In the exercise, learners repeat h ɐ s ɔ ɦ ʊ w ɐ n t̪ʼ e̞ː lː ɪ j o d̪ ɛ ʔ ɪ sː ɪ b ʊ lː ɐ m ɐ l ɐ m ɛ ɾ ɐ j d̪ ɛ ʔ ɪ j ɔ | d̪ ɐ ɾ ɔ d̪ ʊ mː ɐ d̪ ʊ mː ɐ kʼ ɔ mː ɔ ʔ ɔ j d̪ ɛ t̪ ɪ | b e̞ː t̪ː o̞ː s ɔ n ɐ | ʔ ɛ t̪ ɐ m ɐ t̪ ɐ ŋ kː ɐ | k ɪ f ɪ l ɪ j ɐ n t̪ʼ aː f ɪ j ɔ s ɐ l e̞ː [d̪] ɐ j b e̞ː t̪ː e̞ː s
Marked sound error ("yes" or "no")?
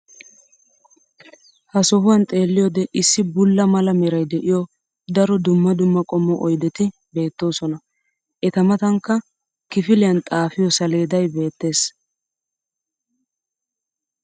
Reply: no